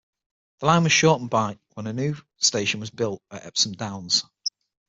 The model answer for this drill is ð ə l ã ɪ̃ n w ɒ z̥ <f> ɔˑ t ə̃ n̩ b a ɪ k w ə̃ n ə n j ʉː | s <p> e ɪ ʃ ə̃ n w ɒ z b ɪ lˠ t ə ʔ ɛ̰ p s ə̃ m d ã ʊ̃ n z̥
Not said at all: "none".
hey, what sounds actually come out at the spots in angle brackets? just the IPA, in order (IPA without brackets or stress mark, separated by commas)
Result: ʃ, t